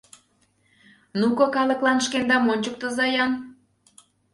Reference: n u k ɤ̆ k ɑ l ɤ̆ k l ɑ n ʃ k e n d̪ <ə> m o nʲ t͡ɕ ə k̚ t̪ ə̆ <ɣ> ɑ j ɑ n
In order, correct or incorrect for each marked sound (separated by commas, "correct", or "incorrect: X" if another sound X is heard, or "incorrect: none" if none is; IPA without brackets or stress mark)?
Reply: incorrect: ɑ, incorrect: z